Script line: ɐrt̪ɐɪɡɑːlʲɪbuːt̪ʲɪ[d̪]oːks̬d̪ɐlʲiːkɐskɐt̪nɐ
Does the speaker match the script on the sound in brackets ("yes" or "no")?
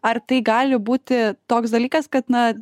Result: no